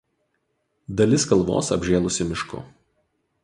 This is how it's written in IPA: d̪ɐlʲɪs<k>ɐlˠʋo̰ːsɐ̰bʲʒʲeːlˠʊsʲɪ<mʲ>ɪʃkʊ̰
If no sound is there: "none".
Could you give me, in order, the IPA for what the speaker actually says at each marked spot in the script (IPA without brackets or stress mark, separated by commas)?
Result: k, mʲ